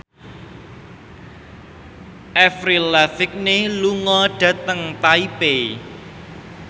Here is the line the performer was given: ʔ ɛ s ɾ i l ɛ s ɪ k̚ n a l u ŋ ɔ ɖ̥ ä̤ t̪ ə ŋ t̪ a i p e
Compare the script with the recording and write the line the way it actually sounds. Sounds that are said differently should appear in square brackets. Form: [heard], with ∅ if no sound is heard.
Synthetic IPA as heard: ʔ ɛ [f] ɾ i l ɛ [f] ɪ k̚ n [e] l u ŋ ɔ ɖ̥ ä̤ t̪ ə ŋ t̪ a i p e